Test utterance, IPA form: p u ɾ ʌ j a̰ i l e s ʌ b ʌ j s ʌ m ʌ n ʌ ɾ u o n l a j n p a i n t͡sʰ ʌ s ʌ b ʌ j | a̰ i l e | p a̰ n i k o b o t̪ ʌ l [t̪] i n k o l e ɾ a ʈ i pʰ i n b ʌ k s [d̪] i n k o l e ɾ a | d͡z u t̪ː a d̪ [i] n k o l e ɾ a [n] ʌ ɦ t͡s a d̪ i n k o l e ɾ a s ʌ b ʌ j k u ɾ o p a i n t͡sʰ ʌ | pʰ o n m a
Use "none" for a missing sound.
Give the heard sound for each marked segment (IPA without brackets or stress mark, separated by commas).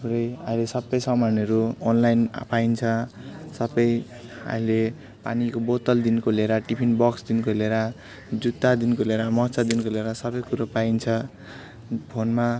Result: d̪, d̪, i, m